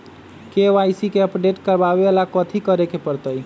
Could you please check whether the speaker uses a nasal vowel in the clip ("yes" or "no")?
no